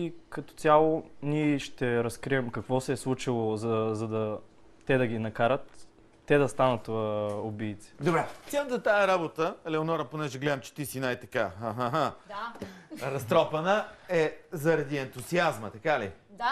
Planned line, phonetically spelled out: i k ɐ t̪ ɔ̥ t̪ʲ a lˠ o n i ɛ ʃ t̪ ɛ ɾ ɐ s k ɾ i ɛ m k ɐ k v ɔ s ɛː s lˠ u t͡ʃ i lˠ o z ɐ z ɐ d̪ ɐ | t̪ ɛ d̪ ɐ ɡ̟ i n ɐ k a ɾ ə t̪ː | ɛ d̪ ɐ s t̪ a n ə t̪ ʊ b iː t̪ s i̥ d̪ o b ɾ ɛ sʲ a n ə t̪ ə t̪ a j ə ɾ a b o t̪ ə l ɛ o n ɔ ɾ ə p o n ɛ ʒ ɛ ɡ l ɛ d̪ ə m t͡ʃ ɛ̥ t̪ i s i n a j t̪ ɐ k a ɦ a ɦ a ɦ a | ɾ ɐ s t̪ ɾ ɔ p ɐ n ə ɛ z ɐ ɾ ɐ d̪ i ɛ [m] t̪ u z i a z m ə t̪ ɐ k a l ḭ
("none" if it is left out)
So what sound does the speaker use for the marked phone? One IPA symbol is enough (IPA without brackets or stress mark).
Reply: n